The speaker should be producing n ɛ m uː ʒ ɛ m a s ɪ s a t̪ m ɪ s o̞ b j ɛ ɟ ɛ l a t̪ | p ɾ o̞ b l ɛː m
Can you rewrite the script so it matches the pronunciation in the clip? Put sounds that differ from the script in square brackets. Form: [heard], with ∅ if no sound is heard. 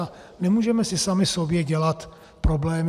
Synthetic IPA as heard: n ɛ m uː ʒ ɛ m [ɛ] s ɪ s a [∅] m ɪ s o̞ b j ɛ ɟ ɛ l a t̪ | p ɾ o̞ b l ɛː m